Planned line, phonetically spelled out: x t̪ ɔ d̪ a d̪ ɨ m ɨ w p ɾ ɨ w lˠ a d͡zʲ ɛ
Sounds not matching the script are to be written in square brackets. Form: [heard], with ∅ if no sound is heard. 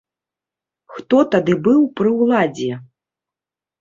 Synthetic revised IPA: x t̪ ɔ [t̪] a d̪ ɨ [b] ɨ w p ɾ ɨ w lˠ a d͡zʲ ɛ